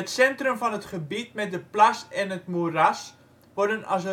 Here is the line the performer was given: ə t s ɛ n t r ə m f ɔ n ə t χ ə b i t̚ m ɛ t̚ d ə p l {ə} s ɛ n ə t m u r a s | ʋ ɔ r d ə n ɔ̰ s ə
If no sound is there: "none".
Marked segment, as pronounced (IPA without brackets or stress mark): a